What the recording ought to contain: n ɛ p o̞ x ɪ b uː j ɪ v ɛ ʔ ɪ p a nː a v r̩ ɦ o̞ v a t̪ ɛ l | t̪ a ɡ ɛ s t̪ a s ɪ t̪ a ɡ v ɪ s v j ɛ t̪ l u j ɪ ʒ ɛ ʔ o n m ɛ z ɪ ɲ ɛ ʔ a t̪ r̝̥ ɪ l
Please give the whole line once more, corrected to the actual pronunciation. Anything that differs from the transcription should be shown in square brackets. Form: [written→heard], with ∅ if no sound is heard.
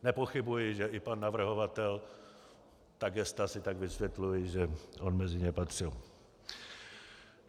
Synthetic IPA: n ɛ p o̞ x ɪ b [uː→u] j ɪ [v→ʒ] ɛ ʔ ɪ p a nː a v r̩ ɦ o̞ v a t̪ ɛ l | t̪ a ɡ ɛ s t̪ a s ɪ t̪ a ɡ v ɪ s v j ɛ t̪ l u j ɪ ʒ ɛ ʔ o n m ɛ z ɪ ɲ ɛ [ʔ→p] a t̪ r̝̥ ɪ l